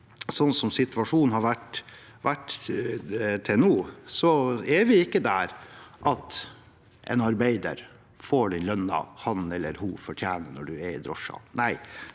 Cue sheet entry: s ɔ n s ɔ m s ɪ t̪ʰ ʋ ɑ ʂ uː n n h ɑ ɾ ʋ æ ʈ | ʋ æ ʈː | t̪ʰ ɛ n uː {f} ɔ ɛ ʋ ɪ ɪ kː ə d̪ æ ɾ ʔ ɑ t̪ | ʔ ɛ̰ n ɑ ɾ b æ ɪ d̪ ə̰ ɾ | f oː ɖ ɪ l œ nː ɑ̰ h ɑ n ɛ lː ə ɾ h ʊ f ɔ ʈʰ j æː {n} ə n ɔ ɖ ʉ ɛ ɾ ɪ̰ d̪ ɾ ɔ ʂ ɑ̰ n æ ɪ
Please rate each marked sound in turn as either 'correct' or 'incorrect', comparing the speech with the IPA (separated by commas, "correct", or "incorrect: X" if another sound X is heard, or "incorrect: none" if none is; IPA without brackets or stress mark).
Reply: incorrect: s, correct